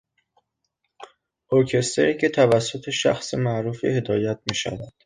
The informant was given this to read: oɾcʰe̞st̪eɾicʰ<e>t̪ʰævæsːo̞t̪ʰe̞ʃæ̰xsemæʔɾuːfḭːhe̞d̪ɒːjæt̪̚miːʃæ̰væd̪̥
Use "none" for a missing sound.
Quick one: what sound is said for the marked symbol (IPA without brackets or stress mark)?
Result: e